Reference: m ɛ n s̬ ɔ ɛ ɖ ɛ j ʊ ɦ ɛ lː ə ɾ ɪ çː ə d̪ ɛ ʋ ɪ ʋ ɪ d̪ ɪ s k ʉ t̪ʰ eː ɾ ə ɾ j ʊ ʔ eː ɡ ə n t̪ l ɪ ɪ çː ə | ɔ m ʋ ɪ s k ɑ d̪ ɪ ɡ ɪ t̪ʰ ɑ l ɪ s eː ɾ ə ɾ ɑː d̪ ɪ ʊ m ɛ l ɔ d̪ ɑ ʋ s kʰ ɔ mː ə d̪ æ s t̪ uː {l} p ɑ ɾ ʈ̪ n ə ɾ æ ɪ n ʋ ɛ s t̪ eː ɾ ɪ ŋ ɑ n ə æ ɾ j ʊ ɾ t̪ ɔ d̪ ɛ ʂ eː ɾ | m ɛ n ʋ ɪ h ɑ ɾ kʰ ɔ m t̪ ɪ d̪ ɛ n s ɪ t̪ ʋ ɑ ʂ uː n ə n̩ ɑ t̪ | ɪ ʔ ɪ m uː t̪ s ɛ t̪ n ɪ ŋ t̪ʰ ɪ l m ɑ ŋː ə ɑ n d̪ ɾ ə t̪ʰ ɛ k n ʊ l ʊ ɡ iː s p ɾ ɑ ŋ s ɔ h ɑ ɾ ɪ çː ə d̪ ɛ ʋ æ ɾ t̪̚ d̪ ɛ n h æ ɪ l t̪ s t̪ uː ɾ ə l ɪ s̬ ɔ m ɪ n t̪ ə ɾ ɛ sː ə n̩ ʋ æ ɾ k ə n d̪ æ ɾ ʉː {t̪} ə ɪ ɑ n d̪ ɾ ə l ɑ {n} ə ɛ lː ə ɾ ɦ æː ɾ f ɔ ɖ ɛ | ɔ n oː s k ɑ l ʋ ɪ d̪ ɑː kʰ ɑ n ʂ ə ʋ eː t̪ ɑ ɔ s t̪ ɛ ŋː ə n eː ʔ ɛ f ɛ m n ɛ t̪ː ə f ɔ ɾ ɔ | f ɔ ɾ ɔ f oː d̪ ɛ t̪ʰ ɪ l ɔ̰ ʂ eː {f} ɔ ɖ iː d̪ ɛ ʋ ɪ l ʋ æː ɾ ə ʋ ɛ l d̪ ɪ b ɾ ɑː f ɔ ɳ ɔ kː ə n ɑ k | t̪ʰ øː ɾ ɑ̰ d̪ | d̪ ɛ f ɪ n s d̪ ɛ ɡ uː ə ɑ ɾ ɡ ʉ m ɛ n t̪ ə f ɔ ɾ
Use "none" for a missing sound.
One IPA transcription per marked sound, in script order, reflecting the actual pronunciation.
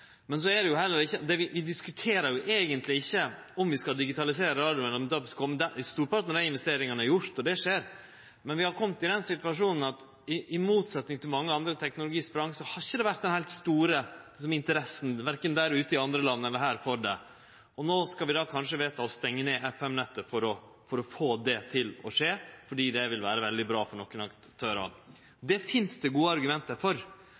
ɾ, t̪, nː, f

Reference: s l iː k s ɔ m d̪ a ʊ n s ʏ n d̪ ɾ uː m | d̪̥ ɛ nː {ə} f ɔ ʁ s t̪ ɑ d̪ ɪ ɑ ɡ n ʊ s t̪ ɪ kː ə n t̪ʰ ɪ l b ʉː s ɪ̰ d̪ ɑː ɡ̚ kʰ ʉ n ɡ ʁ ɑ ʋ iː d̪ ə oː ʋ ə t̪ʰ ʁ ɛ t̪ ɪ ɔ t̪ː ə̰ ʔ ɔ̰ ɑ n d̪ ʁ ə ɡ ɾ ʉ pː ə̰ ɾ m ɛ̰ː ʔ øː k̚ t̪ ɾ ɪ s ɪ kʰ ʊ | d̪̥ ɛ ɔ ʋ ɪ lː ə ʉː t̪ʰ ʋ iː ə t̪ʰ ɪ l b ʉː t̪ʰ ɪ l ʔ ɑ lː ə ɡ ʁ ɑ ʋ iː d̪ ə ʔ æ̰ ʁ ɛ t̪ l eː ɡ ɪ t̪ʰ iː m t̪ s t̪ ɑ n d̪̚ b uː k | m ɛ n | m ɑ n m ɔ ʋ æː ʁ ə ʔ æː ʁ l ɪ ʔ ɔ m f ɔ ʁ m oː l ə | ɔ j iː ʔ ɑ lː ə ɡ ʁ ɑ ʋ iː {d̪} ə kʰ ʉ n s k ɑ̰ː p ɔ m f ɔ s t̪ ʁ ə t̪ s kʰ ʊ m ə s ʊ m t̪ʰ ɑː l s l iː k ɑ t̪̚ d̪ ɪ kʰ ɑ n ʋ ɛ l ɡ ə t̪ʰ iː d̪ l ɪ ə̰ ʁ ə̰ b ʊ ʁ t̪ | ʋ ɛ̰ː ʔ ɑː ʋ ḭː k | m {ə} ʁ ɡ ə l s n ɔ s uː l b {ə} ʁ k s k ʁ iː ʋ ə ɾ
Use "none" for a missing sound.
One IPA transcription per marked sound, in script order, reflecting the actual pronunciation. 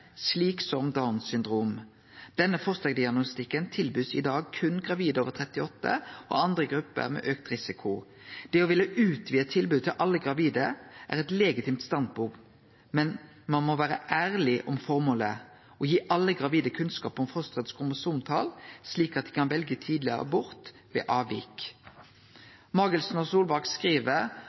ə, d̪, ɑ, ɑ

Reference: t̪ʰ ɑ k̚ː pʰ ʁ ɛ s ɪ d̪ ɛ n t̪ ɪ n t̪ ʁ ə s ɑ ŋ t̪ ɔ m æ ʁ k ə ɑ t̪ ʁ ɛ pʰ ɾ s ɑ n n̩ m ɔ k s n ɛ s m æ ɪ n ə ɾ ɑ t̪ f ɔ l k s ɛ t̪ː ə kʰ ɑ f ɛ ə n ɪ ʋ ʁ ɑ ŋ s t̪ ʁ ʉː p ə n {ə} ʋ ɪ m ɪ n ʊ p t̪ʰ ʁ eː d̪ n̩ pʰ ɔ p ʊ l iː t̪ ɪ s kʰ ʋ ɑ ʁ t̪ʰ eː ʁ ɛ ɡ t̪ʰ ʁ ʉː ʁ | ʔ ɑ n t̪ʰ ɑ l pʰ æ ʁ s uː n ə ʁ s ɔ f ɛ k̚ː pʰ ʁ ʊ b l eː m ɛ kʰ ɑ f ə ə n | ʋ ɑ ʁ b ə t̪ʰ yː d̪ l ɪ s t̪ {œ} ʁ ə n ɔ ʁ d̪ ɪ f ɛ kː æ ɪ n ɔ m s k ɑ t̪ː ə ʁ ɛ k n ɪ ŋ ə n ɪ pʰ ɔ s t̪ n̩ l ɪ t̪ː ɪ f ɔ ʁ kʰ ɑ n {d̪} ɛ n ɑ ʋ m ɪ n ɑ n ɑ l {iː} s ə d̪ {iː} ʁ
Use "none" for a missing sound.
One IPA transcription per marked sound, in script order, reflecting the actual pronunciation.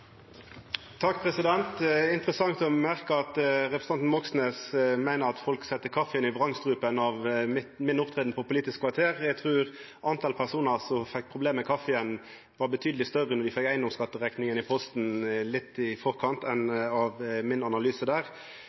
ɑ, œ, t̪, yː, æː

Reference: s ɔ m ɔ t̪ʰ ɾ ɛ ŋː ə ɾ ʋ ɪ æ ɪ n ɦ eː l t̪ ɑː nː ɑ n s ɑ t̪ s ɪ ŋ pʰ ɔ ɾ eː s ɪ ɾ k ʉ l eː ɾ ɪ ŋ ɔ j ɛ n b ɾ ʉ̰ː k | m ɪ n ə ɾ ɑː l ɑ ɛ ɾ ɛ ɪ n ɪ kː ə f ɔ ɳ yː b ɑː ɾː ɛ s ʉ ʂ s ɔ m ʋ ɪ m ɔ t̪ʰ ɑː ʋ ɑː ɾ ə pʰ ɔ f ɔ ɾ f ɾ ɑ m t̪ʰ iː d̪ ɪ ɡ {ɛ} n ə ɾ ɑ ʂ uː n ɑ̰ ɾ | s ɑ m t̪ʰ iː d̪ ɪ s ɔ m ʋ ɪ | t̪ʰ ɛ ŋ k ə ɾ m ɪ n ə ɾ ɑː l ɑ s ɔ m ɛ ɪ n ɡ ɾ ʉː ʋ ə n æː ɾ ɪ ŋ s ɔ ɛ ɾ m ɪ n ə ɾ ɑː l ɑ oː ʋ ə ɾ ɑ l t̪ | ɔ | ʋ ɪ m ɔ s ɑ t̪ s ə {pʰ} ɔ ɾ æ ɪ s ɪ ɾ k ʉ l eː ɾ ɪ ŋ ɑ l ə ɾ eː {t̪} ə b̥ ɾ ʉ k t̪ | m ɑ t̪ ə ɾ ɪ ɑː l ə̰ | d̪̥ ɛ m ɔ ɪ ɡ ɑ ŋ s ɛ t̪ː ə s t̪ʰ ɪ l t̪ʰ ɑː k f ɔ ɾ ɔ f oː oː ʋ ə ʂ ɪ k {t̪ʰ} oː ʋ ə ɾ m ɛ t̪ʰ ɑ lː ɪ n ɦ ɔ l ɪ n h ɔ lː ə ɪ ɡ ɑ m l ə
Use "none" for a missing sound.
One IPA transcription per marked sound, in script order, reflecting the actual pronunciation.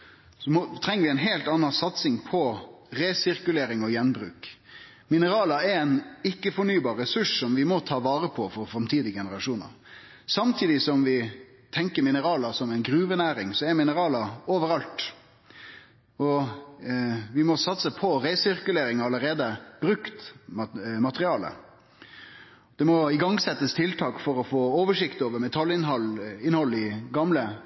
ɛ, pʰ, d̪, t̪

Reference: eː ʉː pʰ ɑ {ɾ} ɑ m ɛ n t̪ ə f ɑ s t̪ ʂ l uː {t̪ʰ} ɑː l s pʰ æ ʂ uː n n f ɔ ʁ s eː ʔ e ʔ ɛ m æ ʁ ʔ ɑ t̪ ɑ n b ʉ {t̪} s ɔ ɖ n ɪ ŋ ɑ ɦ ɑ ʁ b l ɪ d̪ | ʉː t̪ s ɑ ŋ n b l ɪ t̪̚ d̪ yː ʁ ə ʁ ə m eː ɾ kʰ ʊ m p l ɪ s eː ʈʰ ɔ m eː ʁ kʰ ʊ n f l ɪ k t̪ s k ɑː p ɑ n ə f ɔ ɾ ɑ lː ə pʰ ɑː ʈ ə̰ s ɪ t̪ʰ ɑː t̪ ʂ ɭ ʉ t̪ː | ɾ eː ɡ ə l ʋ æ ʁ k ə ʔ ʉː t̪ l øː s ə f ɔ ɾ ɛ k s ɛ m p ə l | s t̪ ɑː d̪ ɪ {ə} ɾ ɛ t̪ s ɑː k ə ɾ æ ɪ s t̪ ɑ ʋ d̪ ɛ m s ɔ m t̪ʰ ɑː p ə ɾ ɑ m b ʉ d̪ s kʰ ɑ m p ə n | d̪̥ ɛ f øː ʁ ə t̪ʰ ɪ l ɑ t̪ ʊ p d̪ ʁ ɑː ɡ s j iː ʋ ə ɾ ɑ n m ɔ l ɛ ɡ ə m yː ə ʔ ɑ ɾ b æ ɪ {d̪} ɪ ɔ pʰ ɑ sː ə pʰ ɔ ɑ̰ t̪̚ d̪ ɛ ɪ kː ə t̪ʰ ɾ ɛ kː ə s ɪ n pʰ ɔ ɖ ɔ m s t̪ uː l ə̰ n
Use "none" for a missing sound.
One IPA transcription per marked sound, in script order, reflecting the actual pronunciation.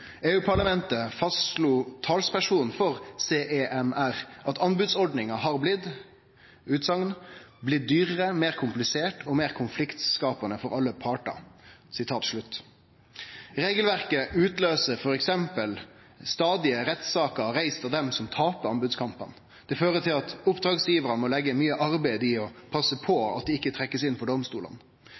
ɭ, t̪ʰ, d̪, ə, d̪

